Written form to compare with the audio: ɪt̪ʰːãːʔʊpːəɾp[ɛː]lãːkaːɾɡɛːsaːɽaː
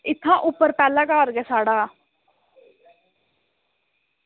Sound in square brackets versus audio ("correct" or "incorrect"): correct